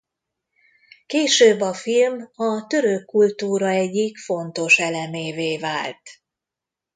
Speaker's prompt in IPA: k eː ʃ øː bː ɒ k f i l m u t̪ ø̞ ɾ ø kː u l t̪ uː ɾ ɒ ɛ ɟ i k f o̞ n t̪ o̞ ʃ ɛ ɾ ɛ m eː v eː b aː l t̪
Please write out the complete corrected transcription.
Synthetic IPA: k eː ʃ øː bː ɒ f i l m ɒ t̪ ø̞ ɾ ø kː u l t̪ uː ɾ ɒ ɛ ɟː i k f o̞ n t̪ o̞ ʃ ɛ l ɛ m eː v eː v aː l t̪